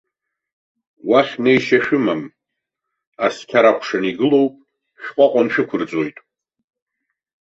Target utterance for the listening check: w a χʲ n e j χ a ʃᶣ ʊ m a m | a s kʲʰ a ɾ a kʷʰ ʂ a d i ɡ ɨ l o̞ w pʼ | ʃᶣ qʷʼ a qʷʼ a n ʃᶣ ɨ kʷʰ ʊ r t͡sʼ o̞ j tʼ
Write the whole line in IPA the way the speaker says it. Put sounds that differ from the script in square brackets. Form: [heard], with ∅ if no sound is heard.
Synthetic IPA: w a χʲ n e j [ʃ] a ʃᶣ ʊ m a m | a s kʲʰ a ɾ a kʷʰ ʂ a [n] i ɡ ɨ l o̞ w pʼ | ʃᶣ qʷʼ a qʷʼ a n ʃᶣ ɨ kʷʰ ʊ r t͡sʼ o̞ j tʼ